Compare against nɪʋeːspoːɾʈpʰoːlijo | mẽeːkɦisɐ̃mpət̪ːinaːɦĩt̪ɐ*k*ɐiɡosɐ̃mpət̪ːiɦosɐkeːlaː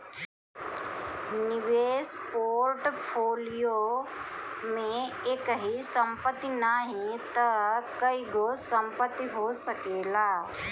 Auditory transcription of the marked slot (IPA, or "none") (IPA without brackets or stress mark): k